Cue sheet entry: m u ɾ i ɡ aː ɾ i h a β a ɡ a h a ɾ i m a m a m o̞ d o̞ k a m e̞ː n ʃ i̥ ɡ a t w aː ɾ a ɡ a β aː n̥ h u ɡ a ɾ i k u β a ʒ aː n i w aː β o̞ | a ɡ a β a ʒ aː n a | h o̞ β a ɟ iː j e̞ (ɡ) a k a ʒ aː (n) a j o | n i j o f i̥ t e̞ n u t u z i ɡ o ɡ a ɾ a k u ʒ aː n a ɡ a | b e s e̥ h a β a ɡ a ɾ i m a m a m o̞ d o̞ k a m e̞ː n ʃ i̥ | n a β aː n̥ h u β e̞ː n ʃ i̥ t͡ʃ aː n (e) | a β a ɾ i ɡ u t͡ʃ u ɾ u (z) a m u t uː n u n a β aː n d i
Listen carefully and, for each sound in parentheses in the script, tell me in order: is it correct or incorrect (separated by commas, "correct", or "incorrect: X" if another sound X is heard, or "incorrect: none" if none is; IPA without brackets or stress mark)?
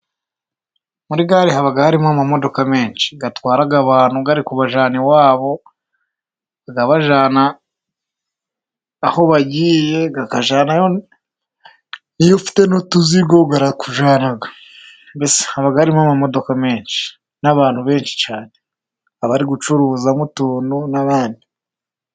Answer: correct, correct, correct, correct